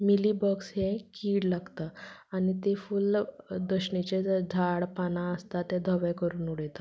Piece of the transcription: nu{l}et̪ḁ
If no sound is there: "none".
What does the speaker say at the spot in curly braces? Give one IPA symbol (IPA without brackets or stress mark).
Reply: ɽ